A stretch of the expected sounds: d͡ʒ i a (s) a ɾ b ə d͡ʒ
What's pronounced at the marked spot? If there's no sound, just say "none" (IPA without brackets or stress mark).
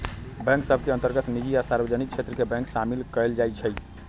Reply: s